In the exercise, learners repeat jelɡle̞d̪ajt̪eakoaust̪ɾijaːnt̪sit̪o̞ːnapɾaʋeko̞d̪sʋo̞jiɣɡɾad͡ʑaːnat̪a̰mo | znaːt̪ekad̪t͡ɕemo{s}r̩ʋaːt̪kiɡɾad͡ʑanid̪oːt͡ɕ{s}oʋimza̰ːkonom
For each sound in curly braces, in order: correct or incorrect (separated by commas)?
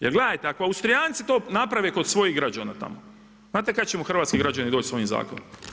incorrect, correct